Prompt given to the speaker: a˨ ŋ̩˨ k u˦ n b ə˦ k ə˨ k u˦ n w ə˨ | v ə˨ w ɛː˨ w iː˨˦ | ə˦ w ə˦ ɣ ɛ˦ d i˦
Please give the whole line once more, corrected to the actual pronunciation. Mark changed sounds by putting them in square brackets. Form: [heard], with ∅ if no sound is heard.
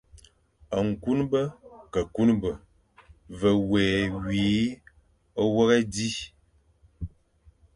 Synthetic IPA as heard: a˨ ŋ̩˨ k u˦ n b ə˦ k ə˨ k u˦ n [b] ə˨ | v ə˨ w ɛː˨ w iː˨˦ | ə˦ w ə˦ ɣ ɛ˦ d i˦